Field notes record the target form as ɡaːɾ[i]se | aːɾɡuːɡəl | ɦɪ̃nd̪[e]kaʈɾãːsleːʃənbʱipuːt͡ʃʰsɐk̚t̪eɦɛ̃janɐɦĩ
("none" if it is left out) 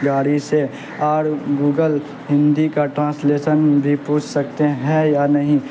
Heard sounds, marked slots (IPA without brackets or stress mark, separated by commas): i, i